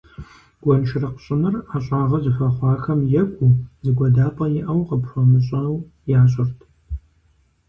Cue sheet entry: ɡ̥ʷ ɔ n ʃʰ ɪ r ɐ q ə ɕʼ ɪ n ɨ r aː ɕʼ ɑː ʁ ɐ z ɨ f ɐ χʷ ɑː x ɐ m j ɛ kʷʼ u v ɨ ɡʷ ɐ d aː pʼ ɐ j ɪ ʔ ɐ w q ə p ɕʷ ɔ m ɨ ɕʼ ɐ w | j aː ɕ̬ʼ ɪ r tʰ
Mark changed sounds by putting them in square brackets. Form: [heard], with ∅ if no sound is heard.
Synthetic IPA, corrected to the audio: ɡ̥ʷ ɔ n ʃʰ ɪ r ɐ q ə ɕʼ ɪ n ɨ r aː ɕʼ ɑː ʁ ɐ z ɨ f ɐ χʷ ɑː x ɐ m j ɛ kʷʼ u [z] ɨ ɡʷ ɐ d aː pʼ ɐ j ɪ ʔ ɐ w q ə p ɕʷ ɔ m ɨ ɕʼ ɐ w | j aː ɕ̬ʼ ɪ r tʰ

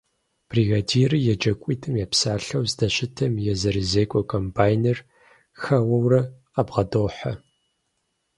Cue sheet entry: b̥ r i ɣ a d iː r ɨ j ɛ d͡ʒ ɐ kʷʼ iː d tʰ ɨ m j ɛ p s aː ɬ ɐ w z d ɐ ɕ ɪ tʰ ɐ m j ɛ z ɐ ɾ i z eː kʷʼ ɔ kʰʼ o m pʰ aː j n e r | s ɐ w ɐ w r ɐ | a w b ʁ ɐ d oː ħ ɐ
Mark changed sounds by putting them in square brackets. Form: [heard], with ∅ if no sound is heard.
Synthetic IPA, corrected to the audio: b̥ r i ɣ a d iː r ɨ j ɛ d͡ʒ ɐ kʷʼ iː [∅] tʰ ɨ m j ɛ p s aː ɬ ɐ w z d ɐ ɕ ɪ tʰ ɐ m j ɛ z ɐ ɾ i z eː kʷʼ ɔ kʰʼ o m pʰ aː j n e r | [x] ɐ w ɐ w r ɐ | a [∅] b ʁ ɐ d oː ħ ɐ

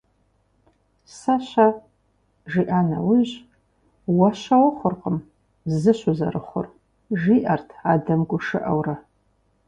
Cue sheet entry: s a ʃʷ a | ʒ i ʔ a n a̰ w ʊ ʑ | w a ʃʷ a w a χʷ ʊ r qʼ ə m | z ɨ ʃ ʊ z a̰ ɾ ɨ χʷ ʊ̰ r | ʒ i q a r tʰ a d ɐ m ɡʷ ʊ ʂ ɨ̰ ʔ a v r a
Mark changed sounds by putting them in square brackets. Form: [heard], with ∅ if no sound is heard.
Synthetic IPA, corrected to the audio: s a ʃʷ a | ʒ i ʔ a n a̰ w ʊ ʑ | w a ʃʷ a w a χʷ ʊ r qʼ ə m | z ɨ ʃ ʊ z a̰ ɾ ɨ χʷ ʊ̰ r | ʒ i [ʔ] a r tʰ a d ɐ m ɡʷ ʊ ʂ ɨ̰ ʔ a [w] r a

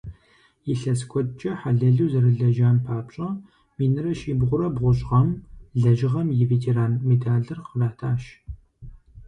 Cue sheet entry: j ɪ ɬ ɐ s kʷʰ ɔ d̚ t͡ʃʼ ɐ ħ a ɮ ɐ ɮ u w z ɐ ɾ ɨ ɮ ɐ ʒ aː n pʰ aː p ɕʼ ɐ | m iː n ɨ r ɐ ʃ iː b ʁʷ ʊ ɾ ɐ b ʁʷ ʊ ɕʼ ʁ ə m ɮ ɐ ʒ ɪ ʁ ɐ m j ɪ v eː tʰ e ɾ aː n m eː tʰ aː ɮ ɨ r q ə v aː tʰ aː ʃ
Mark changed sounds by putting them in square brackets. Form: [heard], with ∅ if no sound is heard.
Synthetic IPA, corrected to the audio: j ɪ ɬ ɐ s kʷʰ ɔ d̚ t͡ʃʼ ɐ ħ a ɮ ɐ ɮ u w z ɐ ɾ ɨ ɮ ɐ ʒ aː n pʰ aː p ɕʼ ɐ | m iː n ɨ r ɐ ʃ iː b ʁʷ ʊ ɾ ɐ b ʁʷ ʊ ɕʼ ʁ [ɐ] m ɮ ɐ ʒ ɪ ʁ ɐ m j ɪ v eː tʰ e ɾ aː n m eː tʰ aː ɮ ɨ r q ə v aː tʰ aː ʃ

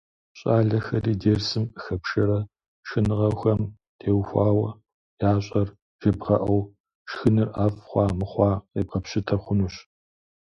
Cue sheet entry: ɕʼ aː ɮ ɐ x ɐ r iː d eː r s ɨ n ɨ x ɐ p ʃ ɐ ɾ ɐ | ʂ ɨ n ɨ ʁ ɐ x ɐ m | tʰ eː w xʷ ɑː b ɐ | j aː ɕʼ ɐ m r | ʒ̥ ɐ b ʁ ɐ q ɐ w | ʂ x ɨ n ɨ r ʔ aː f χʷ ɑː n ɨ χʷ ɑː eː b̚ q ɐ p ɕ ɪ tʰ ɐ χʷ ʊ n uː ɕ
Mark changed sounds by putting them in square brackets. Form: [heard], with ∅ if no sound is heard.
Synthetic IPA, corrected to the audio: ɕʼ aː ɮ ɐ x ɐ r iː d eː r s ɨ [m] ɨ x ɐ p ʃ ɐ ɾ ɐ | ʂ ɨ n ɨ ʁ ɐ x ɐ m | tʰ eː w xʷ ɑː [w] ɐ | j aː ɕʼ ɐ [∅] r | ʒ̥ ɐ b ʁ ɐ [ʔ] ɐ w | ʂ x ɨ n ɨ r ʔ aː f χʷ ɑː [m] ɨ χʷ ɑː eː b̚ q ɐ p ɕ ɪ tʰ ɐ χʷ ʊ n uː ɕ

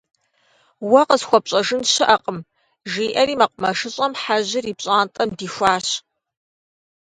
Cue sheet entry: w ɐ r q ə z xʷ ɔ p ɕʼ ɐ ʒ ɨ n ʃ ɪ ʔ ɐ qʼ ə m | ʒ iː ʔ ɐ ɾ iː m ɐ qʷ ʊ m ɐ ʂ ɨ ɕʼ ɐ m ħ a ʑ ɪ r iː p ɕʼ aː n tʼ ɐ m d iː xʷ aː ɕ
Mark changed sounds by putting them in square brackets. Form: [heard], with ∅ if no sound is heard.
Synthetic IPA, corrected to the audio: w ɐ [∅] q ə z xʷ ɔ p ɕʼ ɐ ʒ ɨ n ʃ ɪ ʔ ɐ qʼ ə m | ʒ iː ʔ ɐ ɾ iː m ɐ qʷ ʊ m ɐ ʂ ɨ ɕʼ ɐ m ħ a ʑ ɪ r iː p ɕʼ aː n tʼ ɐ m d iː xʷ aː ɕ

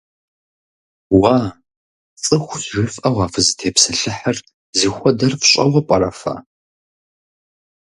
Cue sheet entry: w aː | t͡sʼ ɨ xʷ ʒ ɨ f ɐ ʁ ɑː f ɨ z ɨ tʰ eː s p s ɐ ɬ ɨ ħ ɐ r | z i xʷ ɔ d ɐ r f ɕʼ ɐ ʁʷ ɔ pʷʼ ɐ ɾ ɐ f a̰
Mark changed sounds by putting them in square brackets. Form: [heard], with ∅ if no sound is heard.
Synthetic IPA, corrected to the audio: w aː | t͡sʼ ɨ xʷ ʒ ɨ f ɐ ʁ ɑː f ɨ z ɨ tʰ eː [∅] p s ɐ ɬ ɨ ħ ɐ r | z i xʷ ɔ d ɐ r f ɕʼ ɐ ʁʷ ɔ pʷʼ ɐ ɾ ɐ f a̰

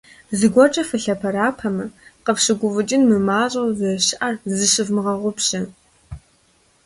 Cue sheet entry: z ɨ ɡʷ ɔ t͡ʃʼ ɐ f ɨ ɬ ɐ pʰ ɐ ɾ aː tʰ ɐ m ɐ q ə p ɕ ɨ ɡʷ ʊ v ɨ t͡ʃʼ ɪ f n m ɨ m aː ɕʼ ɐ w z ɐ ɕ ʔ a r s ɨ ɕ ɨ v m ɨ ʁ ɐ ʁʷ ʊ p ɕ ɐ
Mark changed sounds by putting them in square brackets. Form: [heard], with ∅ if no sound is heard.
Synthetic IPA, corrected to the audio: z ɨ ɡʷ ɔ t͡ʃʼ ɐ f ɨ ɬ ɐ pʰ ɐ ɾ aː [pʰ] ɐ m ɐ q ə p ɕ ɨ ɡʷ ʊ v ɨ t͡ʃʼ ɪ [∅] n m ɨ m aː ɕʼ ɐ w z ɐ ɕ ʔ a r [z] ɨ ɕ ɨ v m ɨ ʁ ɐ ʁʷ ʊ p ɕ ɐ

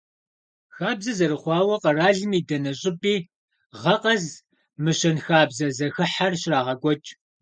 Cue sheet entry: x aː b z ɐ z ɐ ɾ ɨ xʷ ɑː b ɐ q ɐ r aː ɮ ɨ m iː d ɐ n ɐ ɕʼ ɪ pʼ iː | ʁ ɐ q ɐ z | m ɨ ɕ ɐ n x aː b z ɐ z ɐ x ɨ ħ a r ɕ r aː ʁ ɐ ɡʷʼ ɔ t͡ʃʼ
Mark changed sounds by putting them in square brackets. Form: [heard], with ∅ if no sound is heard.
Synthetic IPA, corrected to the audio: x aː b z ɐ z ɐ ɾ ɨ [χʷ] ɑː [w] ɐ q ɐ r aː ɮ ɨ m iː d ɐ n ɐ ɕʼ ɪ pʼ iː | ʁ ɐ q ɐ z | m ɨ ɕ ɐ n x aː b z ɐ z ɐ x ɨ ħ a r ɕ r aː ʁ ɐ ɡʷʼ ɔ t͡ʃʼ

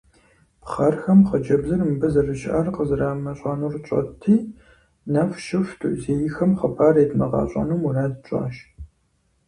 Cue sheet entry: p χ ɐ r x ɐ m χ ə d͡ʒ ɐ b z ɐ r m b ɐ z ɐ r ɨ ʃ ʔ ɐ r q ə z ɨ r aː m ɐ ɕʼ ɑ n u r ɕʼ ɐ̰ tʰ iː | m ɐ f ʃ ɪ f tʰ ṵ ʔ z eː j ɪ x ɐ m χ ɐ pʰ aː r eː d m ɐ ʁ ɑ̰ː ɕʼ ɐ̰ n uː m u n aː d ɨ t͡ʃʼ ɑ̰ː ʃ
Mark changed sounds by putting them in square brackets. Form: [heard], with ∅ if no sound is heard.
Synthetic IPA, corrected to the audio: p χ ɐ r x ɐ m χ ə d͡ʒ ɐ b z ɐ r m b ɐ z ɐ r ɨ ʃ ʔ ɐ r q ə z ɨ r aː m ɐ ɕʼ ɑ n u r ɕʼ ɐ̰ tʰ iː | [n] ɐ f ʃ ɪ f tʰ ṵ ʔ z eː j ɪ x ɐ m χ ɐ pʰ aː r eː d m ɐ ʁ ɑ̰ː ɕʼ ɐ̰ n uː m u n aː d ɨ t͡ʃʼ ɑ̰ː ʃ

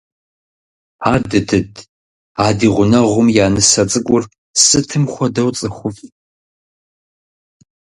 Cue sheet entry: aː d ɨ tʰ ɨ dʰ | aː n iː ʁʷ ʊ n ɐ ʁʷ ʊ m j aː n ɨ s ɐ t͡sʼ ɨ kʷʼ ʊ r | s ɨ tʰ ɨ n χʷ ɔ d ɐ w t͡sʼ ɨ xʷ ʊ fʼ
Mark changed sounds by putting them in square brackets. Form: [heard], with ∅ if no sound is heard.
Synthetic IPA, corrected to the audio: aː d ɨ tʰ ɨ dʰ | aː [d] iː ʁʷ ʊ n ɐ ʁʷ ʊ m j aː n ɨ s ɐ t͡sʼ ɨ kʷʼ ʊ r | s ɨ tʰ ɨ [m] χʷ ɔ d ɐ w t͡sʼ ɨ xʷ ʊ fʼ

